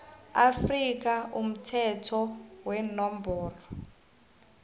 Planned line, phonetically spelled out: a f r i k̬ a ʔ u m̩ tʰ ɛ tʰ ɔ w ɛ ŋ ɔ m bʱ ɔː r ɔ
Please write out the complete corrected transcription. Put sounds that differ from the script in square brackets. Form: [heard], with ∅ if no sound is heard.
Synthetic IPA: a f r i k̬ a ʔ u m̩ tʰ ɛ tʰ ɔ w ɛ [n] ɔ m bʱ ɔː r ɔ